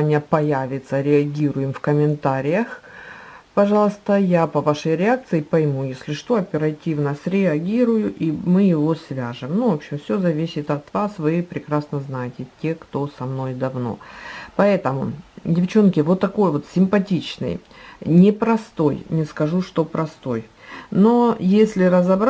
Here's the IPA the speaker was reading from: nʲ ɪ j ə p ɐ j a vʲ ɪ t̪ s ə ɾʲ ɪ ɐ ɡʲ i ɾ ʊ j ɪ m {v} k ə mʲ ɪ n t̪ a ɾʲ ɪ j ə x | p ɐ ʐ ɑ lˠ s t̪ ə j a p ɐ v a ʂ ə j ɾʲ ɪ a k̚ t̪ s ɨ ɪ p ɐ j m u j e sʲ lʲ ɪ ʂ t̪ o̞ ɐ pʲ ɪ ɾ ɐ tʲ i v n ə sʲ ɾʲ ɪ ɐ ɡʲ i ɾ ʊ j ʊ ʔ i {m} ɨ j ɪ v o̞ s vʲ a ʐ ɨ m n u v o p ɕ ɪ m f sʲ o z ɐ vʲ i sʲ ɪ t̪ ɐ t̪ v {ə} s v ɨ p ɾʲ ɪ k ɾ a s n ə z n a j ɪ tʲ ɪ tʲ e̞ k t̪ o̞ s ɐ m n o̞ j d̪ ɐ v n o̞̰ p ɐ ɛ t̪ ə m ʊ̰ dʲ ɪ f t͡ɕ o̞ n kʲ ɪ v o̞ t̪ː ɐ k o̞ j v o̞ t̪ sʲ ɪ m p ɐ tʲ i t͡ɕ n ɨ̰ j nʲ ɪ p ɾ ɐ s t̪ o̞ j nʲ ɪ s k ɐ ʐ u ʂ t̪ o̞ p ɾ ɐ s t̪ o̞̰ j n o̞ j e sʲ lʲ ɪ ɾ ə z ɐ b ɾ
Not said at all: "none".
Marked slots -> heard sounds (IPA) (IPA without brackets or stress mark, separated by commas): f, m, a